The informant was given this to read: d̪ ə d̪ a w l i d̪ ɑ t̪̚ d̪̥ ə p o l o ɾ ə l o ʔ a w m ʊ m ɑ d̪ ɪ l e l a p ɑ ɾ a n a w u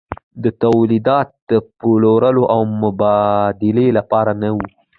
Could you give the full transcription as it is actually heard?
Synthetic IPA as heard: d̪ ə t̪ a w l i d̪ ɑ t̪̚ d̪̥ ə p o l o ɾ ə l o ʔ a w m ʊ b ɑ d̪ ɪ l e l a p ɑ ɾ a n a w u